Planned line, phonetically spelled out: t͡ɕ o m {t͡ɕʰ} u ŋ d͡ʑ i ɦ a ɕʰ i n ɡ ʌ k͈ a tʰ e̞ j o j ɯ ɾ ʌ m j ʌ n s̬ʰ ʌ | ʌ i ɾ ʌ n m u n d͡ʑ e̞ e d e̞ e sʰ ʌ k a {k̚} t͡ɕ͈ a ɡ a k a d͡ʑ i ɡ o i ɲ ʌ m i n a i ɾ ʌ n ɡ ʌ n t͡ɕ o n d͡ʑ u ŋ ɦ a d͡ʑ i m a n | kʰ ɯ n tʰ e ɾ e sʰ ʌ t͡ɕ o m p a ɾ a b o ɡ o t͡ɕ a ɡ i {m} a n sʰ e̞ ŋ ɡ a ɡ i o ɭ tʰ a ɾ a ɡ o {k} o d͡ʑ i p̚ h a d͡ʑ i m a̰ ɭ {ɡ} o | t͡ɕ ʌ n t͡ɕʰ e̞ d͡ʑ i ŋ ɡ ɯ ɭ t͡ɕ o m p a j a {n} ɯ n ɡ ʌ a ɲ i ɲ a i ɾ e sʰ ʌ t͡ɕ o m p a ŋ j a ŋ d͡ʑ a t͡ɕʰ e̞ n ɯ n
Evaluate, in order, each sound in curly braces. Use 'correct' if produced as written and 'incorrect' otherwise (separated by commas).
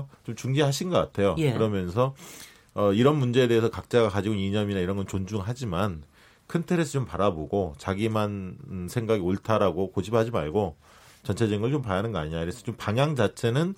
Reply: incorrect, correct, correct, correct, correct, correct